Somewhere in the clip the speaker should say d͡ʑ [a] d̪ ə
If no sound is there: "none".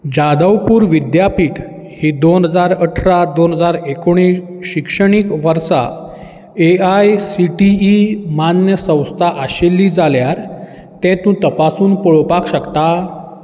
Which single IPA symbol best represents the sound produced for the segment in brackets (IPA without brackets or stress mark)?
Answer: a